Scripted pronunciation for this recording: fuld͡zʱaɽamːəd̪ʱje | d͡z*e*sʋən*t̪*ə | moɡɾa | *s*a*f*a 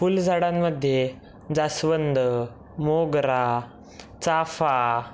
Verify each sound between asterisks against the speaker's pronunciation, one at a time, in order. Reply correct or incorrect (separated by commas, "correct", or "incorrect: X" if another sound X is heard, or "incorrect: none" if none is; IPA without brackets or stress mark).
incorrect: a, incorrect: d̪, incorrect: t͡s, correct